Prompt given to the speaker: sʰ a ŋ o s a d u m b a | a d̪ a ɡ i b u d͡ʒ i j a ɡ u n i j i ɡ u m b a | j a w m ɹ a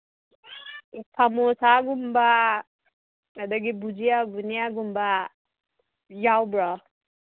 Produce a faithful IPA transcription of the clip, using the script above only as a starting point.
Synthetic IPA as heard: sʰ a m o s a ɡ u m b a | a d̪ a ɡ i b u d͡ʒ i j a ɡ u n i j a ɡ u m b a | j a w b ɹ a